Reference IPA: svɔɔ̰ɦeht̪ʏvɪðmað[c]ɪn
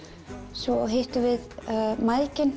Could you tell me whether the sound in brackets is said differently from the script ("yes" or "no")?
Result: no